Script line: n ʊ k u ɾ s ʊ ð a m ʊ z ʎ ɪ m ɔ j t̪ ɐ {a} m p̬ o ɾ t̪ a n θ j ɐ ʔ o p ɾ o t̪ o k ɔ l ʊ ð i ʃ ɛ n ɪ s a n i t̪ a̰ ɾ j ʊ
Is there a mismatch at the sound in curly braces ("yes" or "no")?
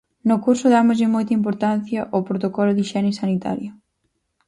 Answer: yes